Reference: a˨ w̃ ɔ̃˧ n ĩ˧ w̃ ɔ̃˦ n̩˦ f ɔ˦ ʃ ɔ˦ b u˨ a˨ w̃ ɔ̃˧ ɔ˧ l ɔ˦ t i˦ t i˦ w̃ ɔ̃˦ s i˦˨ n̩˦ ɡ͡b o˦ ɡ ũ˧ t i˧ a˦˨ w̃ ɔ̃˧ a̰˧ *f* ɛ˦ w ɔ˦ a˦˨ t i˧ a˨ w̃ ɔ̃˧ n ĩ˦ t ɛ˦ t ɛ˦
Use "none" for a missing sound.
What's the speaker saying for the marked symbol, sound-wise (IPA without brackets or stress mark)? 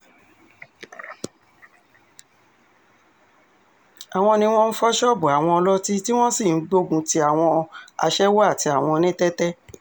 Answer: ʃ